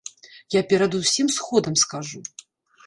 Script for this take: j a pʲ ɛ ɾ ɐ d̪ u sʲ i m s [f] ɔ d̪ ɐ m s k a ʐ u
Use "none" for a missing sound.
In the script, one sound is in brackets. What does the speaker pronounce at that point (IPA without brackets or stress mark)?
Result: x